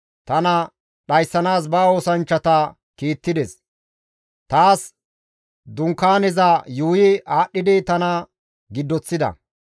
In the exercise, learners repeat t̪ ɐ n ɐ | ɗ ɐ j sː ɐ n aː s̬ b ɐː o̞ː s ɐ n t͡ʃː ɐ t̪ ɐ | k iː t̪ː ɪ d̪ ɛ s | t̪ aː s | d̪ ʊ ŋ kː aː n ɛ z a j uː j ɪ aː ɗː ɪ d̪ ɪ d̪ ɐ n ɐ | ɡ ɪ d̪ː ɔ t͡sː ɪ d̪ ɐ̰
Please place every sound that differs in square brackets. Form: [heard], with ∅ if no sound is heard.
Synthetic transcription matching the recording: t̪ ɐ n ɐ | ɗ ɐ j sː ɐ n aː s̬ b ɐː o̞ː s ɐ n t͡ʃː ɐ t̪ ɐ | k iː t̪ː ɪ d̪ ɛ s | t̪ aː s | d̪ ʊ ŋ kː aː n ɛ z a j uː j ɪ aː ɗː ɪ d̪ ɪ [t̪] ɐ n ɐ | ɡ ɪ d̪ː ɔ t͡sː ɪ d̪ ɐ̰